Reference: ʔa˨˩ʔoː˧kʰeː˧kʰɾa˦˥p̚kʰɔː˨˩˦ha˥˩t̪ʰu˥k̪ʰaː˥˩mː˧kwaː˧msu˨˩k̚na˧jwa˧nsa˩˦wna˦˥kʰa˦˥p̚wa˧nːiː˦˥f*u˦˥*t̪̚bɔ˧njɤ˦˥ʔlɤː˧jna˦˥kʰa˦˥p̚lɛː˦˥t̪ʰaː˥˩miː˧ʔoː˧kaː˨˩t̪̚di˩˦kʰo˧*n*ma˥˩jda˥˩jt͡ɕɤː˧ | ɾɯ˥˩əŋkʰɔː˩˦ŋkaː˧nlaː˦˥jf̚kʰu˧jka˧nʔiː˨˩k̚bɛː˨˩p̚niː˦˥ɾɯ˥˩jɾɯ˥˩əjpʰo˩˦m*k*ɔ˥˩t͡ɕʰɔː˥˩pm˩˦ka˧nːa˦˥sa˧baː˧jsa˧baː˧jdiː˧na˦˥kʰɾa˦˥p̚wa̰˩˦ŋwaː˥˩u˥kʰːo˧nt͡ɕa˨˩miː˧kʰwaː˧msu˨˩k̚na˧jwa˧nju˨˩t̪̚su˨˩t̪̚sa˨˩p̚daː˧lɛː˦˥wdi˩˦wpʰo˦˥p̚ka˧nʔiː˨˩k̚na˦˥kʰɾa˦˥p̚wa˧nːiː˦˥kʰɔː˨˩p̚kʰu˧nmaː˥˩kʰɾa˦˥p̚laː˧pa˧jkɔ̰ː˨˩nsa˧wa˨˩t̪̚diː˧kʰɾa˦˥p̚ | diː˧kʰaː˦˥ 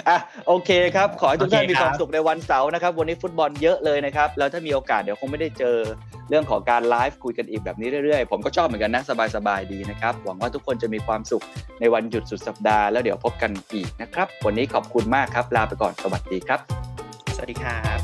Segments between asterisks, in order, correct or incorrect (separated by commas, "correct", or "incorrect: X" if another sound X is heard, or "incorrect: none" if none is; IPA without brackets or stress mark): correct, incorrect: ŋ, correct